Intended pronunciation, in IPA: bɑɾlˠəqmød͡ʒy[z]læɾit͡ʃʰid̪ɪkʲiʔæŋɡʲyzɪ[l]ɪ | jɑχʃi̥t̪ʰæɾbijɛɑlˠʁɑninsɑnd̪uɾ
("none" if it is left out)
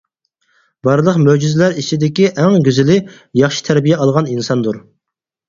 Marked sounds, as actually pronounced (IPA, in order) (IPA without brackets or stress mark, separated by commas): z, l